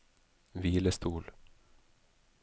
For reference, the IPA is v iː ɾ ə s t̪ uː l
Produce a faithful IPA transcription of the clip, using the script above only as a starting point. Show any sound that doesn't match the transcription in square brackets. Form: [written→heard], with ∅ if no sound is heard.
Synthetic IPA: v iː [ɾ→l] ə s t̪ uː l